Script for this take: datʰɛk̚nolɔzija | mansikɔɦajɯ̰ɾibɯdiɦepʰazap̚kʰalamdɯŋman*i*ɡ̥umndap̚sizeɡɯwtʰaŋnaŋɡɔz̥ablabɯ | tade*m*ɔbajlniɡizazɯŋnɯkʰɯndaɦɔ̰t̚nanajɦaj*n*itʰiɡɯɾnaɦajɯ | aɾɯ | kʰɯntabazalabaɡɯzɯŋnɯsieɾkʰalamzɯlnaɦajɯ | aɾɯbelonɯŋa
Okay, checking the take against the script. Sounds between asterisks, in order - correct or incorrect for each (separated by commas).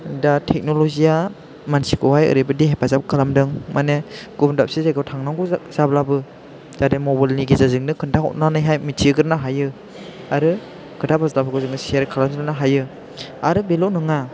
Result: incorrect, correct, incorrect